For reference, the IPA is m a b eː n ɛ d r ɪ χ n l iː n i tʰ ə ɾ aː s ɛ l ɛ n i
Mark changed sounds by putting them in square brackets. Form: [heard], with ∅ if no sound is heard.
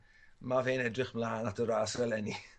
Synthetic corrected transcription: m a [v] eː n ɛ d r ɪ χ [m] l [aː] n [a] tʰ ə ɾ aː s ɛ l ɛ n i

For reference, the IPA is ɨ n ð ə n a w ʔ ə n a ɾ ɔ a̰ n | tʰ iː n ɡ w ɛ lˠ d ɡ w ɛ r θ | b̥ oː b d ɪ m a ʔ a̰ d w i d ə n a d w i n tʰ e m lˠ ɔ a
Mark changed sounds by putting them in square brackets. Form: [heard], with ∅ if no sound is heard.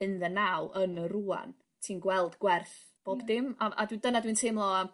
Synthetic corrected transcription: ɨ n ð ə n a w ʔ ə n [ə] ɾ [u] a̰ n | tʰ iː n ɡ w ɛ lˠ d ɡ w ɛ r θ | b̥ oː b d ɪ m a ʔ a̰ d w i d ə n a d w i n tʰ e m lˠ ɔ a

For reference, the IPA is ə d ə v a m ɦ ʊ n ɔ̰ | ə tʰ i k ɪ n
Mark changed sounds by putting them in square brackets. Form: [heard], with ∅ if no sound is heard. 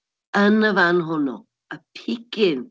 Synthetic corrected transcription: ə [n] ə v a [n] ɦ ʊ n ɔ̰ | ə [pʰ] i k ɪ n

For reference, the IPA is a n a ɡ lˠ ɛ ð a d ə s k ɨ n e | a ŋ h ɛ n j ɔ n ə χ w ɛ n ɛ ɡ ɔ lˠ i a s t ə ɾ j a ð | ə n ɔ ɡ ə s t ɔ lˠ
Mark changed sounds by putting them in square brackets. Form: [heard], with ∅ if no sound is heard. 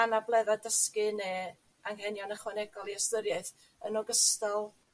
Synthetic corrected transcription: a n a [b] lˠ ɛ ð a d ə s k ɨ n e | a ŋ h ɛ n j ɔ n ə χ w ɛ n ɛ ɡ ɔ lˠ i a s t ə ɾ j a [θ] | ə n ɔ ɡ ə s t ɔ lˠ

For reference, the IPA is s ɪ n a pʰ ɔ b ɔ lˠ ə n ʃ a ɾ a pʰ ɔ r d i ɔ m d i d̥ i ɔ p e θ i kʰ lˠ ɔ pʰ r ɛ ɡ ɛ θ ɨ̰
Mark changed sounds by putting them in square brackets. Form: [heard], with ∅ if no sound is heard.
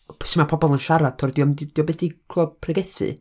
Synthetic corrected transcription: s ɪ [m] a pʰ ɔ b ɔ lˠ ə n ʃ a ɾ a [tʰ] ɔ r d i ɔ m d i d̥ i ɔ [b] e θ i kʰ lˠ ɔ pʰ r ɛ ɡ ɛ θ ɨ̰

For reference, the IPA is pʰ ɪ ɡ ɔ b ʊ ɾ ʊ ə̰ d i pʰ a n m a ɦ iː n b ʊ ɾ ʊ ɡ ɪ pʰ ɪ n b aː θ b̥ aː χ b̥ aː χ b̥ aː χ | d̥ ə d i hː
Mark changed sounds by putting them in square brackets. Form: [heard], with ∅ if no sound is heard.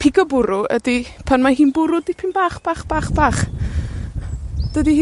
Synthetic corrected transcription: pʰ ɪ ɡ ɔ b ʊ ɾ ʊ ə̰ d i pʰ a n m a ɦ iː n b ʊ ɾ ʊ [d] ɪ pʰ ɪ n b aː [χ] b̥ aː χ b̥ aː χ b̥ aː χ | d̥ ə d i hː

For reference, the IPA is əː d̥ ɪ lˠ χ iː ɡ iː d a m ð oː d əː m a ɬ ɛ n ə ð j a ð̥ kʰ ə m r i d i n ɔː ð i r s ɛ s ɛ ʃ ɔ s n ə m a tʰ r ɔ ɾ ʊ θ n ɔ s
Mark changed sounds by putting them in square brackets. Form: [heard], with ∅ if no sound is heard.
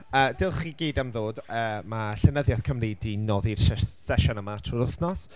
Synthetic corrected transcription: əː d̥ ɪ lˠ χ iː ɡ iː d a m ð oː d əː m a ɬ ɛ n ə ð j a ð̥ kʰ ə m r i d i n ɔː ð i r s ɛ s ɛ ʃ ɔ [∅] n ə m a tʰ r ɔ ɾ ʊ θ n ɔ s

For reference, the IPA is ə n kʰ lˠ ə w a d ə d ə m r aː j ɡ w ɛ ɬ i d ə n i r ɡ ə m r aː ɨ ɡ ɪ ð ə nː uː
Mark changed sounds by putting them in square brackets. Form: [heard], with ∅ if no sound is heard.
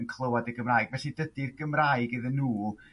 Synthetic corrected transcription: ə n kʰ lˠ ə w a d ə [ɡ] ə m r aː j ɡ [v] ɛ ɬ i d ə [d] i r ɡ ə m r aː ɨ ɡ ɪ ð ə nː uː

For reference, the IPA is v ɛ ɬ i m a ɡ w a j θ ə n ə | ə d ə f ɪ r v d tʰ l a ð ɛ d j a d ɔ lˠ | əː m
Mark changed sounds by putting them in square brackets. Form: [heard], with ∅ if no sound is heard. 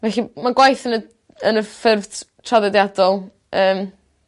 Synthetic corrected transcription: v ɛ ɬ i m a ɡ w a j θ ə n ə | ə [n] ə f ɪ r v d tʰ [r] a ð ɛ d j a d ɔ lˠ | əː m

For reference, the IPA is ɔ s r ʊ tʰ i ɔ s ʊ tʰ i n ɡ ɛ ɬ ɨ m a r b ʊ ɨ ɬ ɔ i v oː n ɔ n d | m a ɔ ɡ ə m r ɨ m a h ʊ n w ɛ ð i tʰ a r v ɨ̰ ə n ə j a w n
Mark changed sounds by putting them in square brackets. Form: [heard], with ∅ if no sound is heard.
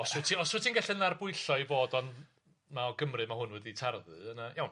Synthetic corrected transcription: ɔ s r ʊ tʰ i ɔ s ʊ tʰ i n ɡ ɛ ɬ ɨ [n] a r b ʊ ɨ ɬ ɔ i v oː [d] ɔ n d | m a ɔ ɡ ə m r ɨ m a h ʊ n w ɛ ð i tʰ a r [ð] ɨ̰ ə n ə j a w n

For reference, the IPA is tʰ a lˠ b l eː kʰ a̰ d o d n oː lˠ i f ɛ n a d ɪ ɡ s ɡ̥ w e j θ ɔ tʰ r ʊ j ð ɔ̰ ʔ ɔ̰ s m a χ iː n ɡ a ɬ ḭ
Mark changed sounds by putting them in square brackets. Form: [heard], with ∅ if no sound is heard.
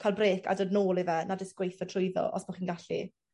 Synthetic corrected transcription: [kʰ] a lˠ b [r] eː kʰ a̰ d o d n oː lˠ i [v] ɛ n a d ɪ [∅] s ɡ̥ w e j θ ɔ tʰ r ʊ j ð ɔ̰ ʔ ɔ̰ s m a χ iː n ɡ a ɬ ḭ

